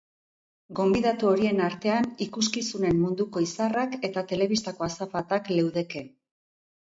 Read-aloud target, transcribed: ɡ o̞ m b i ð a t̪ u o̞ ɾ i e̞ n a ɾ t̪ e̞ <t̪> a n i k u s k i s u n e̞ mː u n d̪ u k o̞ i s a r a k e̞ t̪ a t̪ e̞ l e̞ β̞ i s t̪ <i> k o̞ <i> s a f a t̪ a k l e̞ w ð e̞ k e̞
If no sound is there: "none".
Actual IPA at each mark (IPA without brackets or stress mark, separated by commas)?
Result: none, a, a